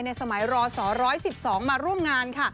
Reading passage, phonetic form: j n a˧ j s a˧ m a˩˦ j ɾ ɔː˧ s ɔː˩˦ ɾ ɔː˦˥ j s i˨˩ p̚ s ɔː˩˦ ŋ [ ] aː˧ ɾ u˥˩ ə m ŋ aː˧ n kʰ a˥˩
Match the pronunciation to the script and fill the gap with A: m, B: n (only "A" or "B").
A